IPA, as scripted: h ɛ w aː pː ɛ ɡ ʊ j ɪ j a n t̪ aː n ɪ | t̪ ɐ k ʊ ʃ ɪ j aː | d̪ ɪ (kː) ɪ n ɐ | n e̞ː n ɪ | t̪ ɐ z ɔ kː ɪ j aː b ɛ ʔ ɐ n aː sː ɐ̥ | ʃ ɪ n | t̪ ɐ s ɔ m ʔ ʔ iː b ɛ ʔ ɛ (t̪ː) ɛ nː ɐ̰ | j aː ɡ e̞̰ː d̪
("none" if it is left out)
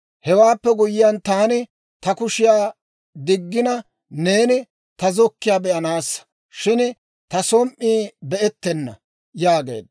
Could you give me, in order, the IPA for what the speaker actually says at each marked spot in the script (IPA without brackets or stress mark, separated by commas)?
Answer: ɡː, t̪ː